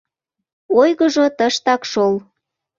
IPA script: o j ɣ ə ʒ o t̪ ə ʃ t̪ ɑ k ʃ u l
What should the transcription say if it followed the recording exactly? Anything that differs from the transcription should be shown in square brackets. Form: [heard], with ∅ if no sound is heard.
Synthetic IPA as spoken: o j ɣ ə ʒ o t̪ ə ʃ t̪ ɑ k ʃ [o] l